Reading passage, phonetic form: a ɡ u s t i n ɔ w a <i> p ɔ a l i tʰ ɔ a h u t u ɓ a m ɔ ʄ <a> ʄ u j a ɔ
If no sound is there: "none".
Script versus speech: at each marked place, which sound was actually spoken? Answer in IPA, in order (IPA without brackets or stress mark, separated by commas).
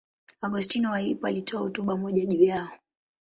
i, a